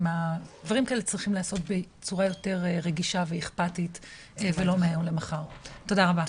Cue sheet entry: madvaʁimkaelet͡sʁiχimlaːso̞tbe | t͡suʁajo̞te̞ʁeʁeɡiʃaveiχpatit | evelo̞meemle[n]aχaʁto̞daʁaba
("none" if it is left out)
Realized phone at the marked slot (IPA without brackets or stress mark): m